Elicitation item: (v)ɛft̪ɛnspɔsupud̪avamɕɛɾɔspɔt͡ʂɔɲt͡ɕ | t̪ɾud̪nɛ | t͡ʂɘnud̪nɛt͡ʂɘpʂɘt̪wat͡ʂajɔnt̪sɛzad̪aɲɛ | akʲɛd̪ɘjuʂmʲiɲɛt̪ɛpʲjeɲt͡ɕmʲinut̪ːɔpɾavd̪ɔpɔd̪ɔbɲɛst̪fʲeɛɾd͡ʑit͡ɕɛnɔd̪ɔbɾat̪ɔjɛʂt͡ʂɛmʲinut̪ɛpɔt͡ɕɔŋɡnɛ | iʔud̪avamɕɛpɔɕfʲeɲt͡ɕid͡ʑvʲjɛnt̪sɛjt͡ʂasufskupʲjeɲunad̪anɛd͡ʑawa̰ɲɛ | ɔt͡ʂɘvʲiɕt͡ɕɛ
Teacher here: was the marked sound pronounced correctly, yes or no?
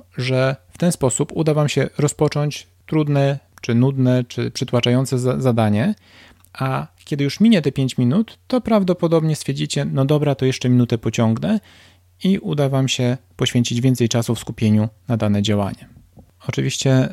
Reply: no